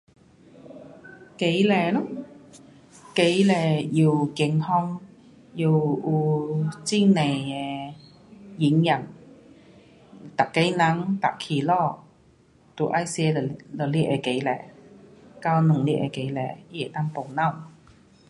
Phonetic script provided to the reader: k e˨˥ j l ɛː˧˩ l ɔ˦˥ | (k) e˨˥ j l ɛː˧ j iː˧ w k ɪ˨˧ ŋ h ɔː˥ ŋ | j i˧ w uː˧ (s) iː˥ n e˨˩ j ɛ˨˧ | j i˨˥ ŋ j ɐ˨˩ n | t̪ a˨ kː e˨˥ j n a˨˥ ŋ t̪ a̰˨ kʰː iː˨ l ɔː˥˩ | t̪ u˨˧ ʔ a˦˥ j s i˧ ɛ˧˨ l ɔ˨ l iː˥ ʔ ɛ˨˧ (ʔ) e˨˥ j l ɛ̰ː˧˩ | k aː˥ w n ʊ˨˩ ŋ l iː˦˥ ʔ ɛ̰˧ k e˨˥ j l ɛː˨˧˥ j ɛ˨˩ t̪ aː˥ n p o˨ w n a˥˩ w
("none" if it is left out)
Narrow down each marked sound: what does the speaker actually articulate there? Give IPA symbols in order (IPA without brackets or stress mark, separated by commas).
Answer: k, t͡s, k